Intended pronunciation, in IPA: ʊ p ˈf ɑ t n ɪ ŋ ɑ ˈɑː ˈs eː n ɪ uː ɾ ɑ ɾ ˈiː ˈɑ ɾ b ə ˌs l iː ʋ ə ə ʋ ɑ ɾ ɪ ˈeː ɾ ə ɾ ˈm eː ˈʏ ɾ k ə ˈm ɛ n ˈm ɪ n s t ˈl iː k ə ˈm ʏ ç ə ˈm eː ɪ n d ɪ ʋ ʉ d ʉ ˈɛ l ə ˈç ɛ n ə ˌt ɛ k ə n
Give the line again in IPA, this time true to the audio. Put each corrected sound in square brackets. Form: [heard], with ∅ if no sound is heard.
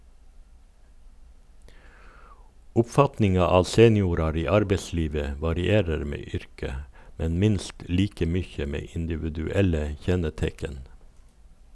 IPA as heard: ʊ p ˈf ɑ t n ɪ ŋ ɑ ˈɑː ˈs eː n ɪ uː ɾ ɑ ɾ ˈiː ˈɑ ɾ b ə ˌs l iː ʋ ə ə ʋ ɑ ɾ ɪ ˈeː ɾ ə ɾ ˈm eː ˈʏ ɾ k ə ˈm ɛ n ˈm ɪ n s t ˈl iː k ə ˈm ʏ ç ə ˈm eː ɪ n d ɪ ʋ ʉ d ʉ ˈɛ l ə ˈç ɛ n ə ˌt ɛ k ə n